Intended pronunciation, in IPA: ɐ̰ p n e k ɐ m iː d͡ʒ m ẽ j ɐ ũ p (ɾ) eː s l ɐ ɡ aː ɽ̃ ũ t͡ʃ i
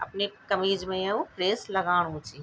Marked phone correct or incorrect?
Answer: correct